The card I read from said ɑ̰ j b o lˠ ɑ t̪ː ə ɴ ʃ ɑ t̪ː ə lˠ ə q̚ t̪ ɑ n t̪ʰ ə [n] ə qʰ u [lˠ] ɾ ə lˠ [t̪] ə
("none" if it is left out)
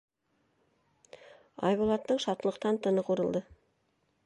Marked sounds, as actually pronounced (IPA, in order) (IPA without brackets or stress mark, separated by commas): n, none, d̪